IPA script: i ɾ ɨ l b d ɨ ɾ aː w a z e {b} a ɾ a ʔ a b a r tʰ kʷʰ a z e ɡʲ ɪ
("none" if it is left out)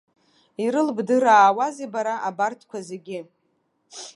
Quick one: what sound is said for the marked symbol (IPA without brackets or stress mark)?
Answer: b